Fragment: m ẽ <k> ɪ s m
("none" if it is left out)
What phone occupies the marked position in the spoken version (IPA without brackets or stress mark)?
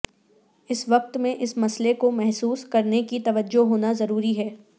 ʔ